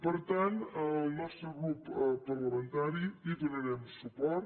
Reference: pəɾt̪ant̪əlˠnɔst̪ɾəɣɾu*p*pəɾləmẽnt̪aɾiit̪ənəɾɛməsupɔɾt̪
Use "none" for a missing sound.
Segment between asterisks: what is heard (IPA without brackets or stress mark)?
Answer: p